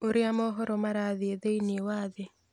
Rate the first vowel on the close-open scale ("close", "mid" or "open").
mid